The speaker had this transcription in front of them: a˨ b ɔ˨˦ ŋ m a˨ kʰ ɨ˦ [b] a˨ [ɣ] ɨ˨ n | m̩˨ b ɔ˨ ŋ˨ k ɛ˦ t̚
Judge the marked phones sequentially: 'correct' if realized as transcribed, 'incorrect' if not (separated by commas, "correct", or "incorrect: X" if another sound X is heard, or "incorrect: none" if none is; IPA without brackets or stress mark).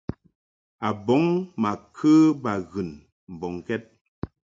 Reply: correct, correct